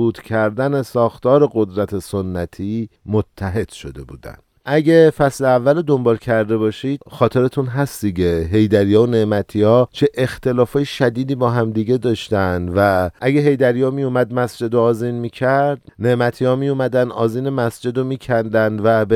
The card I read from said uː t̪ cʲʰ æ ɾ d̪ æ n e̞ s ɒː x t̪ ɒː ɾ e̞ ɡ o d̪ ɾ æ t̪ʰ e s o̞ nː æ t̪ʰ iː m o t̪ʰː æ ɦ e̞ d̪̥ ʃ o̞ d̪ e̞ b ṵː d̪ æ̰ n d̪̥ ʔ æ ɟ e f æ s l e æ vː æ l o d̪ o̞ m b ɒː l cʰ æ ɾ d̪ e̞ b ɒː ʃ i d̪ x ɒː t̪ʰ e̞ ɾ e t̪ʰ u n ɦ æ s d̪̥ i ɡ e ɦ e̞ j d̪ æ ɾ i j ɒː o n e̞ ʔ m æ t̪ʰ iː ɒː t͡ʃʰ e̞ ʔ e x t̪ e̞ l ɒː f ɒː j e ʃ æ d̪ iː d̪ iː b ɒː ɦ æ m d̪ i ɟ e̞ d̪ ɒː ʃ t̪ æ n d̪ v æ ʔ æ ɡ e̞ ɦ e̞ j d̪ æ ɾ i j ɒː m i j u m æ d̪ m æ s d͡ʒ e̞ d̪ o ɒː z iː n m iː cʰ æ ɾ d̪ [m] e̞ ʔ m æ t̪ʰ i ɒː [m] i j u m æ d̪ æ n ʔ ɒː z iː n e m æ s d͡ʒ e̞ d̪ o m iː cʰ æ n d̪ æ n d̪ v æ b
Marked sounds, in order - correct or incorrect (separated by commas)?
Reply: incorrect, correct